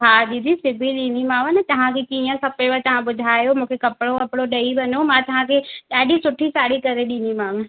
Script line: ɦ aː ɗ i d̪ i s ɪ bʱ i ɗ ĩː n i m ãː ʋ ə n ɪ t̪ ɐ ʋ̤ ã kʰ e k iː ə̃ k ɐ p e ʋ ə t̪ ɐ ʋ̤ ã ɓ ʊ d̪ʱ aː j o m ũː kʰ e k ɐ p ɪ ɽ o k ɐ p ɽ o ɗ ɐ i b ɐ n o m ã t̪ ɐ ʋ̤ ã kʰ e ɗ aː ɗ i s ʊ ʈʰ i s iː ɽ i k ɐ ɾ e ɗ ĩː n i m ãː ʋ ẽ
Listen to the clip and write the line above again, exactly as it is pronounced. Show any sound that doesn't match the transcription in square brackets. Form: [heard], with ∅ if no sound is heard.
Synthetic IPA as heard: ɦ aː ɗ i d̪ i s ɪ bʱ i ɗ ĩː n i m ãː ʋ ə n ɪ t̪ ɐ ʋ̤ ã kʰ e k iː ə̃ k ɐ p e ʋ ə t̪ ɐ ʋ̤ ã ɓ ʊ d̪ʱ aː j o m ũː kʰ e k ɐ p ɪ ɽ o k ɐ p ɽ o ɗ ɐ i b ɐ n o m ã t̪ ɐ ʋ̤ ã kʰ e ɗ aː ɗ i s ʊ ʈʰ i s [aː] ɽ i k ɐ ɾ e ɗ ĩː n i m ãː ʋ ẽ